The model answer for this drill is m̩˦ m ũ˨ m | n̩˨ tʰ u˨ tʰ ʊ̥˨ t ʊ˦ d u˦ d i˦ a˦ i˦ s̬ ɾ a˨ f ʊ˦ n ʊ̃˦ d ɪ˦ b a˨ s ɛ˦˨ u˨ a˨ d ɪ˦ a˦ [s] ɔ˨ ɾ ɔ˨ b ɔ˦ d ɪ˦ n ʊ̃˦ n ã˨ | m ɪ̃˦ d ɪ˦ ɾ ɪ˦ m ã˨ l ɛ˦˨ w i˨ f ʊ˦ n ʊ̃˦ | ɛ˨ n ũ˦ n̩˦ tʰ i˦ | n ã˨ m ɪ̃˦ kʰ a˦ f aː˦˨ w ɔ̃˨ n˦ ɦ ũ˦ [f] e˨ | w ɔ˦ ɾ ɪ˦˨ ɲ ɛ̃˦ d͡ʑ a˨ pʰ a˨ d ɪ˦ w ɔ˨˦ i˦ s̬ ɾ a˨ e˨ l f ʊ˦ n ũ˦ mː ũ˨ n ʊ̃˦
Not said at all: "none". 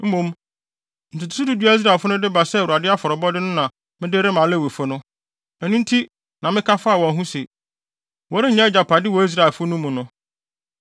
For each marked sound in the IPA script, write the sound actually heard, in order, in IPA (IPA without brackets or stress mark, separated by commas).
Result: f, s